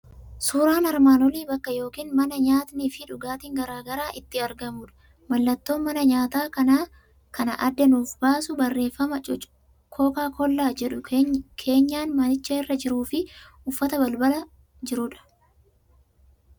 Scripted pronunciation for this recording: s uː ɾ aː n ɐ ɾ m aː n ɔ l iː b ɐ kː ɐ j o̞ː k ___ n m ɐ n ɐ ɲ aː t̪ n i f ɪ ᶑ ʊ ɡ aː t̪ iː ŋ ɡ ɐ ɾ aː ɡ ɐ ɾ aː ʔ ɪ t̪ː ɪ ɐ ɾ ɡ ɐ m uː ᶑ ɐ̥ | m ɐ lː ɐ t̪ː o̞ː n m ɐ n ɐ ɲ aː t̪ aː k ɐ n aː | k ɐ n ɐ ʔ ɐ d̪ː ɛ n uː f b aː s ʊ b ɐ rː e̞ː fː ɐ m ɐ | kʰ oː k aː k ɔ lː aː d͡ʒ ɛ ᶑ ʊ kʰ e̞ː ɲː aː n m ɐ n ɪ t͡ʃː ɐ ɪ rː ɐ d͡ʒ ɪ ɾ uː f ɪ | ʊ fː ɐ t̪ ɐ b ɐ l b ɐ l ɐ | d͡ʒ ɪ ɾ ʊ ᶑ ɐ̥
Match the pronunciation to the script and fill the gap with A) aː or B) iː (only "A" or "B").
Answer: B